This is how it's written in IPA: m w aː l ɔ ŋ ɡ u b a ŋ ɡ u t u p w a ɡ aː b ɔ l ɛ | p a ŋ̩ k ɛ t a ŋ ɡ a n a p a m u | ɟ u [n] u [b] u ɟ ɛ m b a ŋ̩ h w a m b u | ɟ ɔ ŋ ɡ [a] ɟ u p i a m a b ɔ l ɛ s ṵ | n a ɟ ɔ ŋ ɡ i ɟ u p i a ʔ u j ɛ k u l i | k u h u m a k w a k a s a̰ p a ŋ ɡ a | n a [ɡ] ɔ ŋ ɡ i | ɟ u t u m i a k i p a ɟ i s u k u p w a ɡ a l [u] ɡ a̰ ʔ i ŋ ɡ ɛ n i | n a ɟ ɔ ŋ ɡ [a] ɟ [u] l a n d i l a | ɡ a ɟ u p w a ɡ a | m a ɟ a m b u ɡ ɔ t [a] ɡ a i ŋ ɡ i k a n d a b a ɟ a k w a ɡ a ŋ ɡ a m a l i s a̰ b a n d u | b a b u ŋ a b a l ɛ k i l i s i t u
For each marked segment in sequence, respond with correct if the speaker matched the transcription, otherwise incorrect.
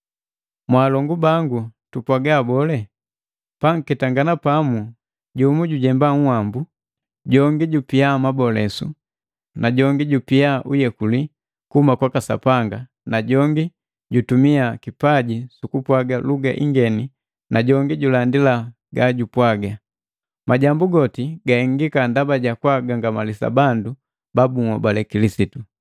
incorrect: m, incorrect: ɟ, incorrect: i, incorrect: ɟ, correct, incorrect: i, correct, incorrect: i

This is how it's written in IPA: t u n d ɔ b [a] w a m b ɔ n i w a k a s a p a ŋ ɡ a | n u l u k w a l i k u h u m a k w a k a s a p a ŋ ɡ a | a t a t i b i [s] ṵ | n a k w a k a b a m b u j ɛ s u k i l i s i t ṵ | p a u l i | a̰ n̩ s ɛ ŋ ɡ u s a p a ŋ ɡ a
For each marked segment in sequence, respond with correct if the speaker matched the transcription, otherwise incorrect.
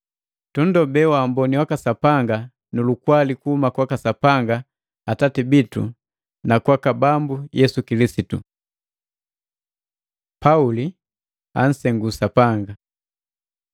incorrect: ɛ, incorrect: t

